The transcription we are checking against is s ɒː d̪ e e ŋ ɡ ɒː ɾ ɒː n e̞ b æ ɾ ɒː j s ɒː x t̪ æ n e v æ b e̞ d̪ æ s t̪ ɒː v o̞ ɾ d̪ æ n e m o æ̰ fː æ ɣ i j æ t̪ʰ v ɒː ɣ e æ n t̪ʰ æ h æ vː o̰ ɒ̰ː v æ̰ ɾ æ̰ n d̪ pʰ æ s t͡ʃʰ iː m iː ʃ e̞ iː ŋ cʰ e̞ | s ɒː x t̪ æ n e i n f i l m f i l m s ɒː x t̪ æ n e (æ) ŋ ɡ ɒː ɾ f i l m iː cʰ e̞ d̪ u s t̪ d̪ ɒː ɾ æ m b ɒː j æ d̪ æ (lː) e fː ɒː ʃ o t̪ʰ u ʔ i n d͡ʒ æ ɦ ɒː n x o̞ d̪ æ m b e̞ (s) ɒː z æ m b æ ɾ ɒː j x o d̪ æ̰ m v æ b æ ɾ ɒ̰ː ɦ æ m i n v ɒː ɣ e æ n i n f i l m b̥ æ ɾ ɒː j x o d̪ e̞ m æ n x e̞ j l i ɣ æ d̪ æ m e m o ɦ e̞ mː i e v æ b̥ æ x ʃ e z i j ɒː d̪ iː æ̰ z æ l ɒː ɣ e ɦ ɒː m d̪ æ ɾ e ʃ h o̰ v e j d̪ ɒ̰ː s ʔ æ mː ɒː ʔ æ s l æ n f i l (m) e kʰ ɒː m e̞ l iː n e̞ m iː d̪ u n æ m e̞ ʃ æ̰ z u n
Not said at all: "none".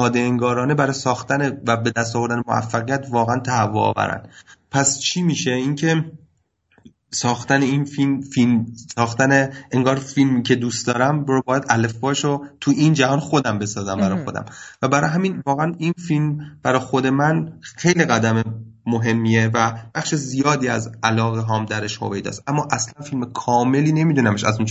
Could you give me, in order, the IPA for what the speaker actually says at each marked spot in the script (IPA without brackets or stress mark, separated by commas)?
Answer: e, l, s, m